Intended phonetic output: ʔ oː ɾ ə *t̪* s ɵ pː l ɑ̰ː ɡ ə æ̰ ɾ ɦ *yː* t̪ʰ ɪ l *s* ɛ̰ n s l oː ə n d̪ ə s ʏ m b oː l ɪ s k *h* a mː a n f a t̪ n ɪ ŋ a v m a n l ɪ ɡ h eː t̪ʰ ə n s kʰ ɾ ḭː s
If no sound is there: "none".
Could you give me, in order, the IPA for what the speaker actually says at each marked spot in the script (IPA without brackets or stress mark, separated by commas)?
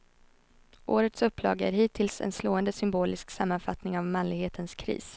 t̪, iː, s, s